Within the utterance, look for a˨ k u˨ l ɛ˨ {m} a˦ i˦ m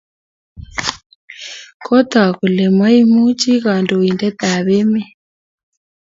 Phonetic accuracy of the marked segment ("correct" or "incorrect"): correct